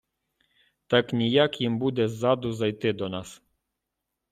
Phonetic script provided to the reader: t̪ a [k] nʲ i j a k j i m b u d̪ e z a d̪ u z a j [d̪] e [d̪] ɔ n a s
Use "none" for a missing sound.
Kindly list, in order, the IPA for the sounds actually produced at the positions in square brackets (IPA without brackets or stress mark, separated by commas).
k, t̪, d̪